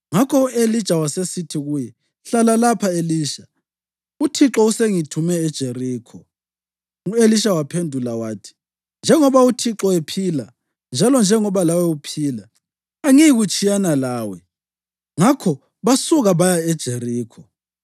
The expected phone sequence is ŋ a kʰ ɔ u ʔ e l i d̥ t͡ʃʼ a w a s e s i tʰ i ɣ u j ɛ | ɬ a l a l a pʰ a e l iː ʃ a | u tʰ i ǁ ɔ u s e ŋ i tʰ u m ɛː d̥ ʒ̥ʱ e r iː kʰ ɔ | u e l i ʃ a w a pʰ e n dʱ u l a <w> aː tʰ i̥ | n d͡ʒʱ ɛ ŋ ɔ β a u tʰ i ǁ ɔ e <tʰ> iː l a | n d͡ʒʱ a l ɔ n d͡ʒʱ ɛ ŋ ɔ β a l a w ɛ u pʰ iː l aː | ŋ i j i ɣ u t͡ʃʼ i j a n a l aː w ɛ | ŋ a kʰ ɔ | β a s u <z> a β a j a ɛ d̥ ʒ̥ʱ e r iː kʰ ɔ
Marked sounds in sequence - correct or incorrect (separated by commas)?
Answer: correct, incorrect, incorrect